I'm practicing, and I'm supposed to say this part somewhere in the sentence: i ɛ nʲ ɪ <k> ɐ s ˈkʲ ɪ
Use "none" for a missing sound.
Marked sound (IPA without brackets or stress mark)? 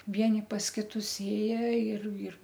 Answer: p